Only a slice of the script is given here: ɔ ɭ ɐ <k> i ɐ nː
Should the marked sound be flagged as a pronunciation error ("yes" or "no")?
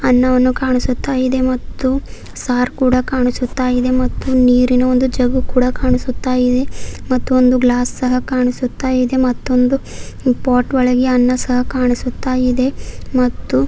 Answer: yes